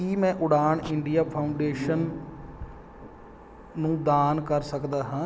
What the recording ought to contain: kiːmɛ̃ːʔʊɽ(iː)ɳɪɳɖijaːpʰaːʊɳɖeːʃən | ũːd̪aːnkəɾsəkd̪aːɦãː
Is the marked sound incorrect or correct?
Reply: incorrect